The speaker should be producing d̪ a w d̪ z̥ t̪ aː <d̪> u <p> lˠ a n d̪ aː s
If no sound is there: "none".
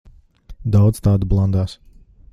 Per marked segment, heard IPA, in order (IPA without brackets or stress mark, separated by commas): d̪, b